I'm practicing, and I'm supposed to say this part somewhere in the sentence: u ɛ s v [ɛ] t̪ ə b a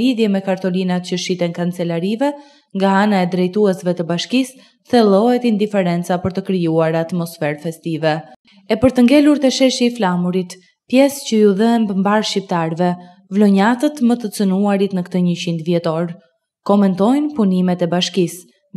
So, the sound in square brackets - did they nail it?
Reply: yes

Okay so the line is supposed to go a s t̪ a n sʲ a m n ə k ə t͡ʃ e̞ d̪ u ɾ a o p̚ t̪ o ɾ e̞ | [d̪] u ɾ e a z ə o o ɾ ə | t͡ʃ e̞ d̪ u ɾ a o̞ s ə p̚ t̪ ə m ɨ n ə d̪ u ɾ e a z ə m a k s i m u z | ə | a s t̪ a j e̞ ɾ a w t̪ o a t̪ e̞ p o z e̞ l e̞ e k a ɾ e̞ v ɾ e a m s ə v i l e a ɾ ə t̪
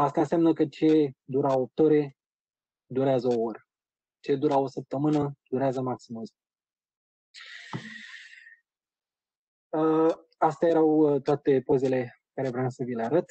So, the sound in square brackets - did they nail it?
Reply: yes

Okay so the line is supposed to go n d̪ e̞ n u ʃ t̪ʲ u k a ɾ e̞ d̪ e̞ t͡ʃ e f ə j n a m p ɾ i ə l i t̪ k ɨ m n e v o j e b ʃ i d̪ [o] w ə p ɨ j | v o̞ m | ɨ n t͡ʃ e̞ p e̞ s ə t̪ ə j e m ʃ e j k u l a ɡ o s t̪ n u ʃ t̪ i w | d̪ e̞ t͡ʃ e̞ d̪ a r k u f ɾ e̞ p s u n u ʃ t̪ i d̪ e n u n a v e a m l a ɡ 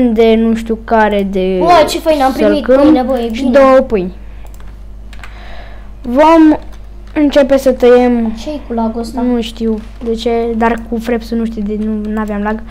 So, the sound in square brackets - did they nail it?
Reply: yes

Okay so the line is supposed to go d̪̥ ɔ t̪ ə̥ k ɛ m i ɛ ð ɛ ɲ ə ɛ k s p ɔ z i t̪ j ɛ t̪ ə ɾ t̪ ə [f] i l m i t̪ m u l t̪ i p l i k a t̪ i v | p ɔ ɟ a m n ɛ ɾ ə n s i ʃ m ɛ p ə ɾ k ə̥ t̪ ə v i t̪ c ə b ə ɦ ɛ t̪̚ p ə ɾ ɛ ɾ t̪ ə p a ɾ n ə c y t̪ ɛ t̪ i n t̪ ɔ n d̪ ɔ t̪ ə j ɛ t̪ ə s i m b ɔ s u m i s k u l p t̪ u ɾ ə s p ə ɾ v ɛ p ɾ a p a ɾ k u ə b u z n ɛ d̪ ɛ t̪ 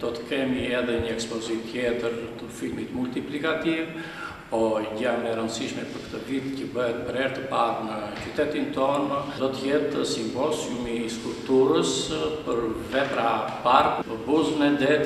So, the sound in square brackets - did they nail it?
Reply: yes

